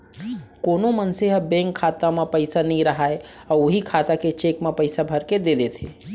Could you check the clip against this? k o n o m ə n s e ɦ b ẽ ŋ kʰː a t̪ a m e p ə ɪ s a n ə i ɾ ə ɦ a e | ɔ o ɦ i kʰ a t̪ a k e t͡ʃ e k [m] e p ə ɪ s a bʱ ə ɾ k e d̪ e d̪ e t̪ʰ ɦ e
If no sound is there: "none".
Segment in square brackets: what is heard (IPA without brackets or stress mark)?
m